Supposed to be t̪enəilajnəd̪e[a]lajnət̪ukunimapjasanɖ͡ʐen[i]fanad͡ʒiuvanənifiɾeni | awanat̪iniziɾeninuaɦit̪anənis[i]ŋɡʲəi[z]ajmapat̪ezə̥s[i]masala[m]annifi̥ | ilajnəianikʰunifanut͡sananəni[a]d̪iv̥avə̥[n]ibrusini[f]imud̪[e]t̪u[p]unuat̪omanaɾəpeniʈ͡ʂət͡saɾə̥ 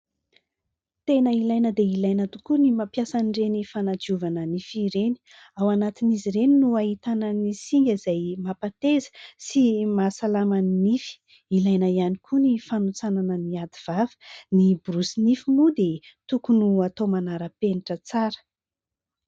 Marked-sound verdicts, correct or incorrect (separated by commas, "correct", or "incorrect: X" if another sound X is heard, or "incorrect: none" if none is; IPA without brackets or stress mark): incorrect: i, correct, correct, correct, correct, correct, correct, correct, correct, correct, incorrect: k